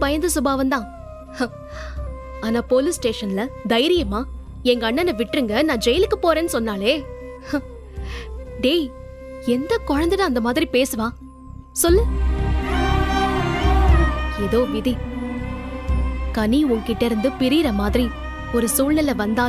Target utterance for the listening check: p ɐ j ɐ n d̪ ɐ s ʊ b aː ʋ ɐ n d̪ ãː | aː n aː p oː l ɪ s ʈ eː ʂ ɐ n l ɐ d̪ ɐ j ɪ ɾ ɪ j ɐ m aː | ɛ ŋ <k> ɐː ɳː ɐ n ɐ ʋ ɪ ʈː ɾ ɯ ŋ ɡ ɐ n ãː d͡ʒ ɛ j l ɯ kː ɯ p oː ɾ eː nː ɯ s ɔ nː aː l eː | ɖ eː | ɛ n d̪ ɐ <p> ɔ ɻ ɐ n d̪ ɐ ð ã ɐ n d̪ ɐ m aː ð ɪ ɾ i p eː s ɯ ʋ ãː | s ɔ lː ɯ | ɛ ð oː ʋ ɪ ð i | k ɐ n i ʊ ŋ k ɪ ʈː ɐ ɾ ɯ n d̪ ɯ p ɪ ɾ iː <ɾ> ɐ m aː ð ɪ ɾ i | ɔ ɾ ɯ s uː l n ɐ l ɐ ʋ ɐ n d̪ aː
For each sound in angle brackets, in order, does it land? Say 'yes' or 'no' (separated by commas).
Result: no, no, yes